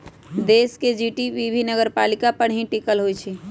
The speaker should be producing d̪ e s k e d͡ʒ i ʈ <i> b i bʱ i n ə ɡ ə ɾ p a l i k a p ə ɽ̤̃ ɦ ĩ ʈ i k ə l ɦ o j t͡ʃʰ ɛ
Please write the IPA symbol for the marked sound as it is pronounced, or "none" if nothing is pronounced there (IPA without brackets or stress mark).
i